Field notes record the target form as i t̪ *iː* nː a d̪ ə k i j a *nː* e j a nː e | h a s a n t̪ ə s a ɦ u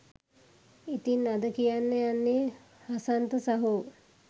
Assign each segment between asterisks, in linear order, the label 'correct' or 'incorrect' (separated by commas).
incorrect, correct